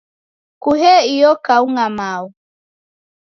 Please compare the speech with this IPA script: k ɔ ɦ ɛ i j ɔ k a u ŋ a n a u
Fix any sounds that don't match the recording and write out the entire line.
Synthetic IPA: k u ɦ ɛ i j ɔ k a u ŋ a m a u